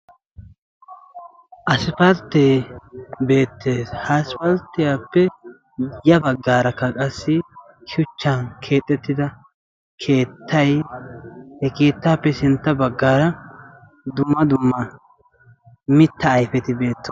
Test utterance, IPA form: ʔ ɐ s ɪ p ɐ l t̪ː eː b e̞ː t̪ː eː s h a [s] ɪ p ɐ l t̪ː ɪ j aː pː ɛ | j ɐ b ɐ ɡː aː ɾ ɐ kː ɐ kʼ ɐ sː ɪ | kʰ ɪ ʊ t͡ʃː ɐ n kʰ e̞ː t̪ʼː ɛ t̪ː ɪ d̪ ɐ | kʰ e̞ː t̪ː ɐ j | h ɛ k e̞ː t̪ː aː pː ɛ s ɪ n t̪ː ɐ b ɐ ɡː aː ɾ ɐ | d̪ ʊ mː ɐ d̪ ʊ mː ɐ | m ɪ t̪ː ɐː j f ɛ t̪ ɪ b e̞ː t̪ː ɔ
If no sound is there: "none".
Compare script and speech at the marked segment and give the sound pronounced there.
s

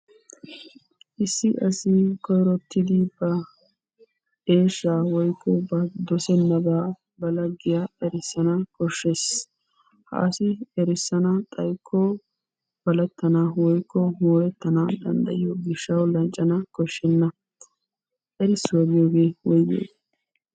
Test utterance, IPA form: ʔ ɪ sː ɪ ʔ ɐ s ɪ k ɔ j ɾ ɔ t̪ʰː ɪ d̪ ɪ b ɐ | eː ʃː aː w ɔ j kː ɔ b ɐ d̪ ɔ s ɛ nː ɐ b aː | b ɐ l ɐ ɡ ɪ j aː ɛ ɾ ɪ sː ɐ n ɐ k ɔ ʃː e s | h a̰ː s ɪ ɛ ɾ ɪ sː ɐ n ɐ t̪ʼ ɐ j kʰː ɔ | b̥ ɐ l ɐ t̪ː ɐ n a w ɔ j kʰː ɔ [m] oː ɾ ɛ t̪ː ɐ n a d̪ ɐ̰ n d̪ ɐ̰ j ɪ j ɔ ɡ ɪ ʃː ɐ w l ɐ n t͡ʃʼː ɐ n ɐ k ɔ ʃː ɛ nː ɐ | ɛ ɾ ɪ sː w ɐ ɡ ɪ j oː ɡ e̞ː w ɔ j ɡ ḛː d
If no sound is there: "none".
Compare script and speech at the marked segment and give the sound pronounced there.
m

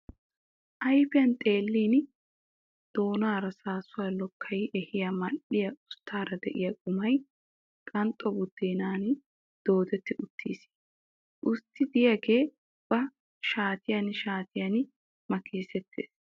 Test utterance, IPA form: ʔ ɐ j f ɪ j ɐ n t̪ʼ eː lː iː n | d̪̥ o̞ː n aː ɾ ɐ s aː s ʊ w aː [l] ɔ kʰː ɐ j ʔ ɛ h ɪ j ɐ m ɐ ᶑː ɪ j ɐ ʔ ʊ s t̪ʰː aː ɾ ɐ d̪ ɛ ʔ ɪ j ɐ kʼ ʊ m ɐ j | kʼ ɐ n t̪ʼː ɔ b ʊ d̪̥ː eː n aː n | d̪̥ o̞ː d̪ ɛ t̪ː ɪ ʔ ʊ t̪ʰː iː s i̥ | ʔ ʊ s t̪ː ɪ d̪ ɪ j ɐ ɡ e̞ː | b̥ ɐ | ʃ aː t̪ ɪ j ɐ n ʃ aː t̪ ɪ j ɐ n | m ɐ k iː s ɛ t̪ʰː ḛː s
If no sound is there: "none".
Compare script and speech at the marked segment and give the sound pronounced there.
l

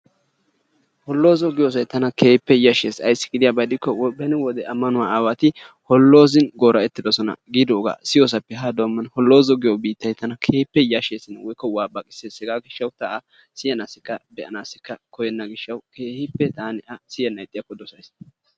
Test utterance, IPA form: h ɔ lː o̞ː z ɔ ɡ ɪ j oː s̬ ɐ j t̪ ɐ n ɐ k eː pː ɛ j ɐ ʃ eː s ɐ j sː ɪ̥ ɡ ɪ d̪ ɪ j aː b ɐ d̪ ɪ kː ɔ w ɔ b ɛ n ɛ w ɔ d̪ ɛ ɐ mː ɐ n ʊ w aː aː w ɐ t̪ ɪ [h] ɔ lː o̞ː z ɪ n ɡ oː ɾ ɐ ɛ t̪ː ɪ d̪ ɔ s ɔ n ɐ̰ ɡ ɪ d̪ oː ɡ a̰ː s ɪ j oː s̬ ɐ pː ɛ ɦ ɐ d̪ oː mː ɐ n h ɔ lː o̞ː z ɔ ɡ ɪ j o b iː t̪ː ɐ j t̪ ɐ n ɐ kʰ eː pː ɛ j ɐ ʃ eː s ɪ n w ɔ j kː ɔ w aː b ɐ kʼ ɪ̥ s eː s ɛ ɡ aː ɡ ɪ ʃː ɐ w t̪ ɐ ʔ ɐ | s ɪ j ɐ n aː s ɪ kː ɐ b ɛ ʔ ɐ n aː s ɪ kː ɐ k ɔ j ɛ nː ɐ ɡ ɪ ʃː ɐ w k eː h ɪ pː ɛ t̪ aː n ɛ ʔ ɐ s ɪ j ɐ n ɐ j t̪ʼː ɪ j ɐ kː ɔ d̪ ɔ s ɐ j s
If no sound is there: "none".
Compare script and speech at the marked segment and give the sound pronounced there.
h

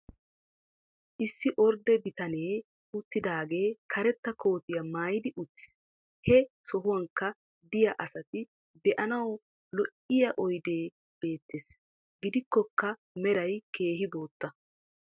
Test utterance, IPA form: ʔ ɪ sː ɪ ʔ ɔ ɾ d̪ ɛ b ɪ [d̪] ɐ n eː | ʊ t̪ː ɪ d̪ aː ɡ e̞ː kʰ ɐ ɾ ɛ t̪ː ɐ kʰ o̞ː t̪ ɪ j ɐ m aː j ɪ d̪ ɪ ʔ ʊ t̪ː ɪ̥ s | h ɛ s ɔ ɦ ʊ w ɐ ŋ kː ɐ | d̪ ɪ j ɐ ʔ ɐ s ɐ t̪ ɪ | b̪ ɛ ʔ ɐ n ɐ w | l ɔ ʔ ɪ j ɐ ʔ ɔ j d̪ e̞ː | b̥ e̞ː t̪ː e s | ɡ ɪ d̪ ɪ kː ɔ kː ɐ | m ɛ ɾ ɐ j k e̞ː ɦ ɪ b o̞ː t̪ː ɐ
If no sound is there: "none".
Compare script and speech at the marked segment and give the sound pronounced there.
t̪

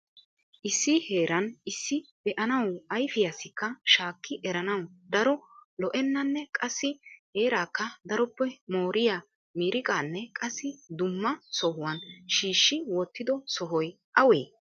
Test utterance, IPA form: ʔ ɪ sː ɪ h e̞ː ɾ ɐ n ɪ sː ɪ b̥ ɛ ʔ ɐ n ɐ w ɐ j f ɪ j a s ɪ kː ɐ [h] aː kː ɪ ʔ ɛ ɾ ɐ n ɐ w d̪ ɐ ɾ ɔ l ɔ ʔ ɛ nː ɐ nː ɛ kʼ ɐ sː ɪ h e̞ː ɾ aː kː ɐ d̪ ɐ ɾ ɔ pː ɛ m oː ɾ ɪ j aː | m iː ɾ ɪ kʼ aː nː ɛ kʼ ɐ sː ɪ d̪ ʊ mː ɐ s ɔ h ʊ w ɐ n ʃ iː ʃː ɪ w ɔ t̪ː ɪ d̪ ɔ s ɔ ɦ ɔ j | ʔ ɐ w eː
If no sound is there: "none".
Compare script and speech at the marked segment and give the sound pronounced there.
ʃ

